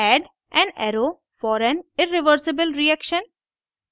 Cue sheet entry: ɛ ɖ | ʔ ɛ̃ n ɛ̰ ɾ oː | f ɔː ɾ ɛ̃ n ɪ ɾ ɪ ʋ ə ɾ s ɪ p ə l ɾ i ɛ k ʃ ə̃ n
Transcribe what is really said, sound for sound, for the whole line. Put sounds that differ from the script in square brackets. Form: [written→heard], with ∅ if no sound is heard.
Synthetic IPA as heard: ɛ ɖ | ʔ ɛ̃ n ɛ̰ ɾ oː | f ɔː ɾ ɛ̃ n ɪ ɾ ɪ ʋ ə ɾ s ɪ [p→b] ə l ɾ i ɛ k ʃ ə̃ n

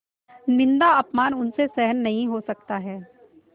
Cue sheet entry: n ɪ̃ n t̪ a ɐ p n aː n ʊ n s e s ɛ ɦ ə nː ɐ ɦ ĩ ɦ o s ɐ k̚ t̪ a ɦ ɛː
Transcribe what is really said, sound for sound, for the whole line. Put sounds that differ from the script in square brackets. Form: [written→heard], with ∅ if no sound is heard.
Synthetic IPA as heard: n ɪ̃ n [t̪→d̪] a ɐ p [n→m] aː n ʊ n s e s ɛ ɦ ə nː ɐ ɦ ĩ ɦ o s ɐ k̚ t̪ a ɦ ɛː

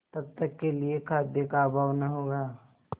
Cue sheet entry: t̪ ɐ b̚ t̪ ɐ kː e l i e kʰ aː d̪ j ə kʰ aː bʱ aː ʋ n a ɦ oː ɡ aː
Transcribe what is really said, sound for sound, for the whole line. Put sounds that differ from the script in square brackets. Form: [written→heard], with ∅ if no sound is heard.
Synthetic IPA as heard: t̪ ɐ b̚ t̪ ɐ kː e l i e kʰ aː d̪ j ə [kʰ→k] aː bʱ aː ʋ n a ɦ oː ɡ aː

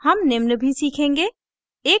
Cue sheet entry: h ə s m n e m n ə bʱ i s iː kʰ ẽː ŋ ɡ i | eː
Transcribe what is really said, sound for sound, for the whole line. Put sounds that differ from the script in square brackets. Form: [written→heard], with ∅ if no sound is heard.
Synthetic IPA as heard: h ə [s→∅] m n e m n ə bʱ i s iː kʰ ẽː ŋ ɡ [i→e] | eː

